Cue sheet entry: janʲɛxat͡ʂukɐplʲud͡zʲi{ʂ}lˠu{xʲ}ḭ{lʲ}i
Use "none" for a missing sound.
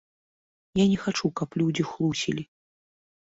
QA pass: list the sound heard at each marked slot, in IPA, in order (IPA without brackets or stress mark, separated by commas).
x, sʲ, lʲ